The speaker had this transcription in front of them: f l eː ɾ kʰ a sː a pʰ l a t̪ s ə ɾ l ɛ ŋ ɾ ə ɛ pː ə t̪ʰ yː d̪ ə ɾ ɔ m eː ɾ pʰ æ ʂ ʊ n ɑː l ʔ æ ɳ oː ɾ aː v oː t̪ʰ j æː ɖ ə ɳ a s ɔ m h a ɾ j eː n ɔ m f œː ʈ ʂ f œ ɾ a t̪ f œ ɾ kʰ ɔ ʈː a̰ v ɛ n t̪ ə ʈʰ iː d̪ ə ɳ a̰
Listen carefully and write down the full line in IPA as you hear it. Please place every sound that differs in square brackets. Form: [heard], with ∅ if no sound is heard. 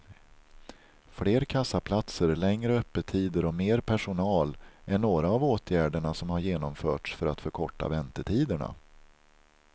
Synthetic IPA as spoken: f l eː ɾ kʰ a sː a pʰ l a t̪ s ə ɾ l ɛ ŋ ɾ ə [œ] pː ə t̪ʰ [iː] d̪ ə ɾ ɔ m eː ɾ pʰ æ ʂ ʊ n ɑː l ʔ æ ɳ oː ɾ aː v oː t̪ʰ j æː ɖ ə ɳ a s ɔ m h a ɾ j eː n ɔ m f œː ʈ ʂ f œ ɾ a t̪ f œ ɾ kʰ ɔ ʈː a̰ v ɛ n t̪ ə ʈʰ iː d̪ ə ɳ a̰